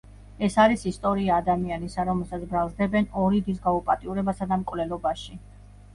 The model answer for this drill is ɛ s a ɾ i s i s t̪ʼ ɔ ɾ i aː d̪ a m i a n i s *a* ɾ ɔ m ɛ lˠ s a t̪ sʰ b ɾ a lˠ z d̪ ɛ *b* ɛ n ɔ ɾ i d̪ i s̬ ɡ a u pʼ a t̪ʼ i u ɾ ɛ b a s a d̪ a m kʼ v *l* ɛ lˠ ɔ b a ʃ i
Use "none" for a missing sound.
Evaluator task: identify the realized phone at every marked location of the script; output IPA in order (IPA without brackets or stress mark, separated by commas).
a, b, l